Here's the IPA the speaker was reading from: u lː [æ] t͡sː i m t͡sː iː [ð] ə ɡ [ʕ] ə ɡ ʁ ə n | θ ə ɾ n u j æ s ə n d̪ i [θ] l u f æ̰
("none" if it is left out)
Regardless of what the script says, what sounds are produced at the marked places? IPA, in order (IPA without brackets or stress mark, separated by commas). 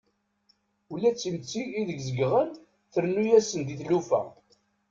æ, ð, z, θ